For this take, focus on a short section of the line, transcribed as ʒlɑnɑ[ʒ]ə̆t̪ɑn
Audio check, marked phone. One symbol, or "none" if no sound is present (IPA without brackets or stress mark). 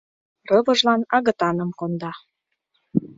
ɣ